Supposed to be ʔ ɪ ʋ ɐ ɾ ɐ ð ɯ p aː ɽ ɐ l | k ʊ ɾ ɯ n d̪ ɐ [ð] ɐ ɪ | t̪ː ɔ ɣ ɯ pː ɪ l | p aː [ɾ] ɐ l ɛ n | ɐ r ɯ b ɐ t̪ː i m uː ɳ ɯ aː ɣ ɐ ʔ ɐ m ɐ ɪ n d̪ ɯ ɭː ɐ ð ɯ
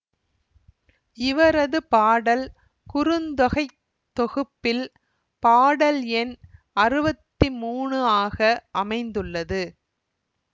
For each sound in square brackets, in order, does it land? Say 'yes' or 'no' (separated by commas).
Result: no, no